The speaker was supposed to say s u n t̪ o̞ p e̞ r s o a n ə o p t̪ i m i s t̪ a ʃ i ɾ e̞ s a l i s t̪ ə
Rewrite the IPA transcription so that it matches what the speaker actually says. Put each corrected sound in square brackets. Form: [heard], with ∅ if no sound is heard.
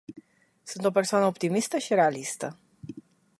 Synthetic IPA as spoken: s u n t̪ o̞ p e̞ r s o a n ə o p t̪ i m i s t̪ [ə] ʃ i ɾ e̞ [∅] a l i s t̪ ə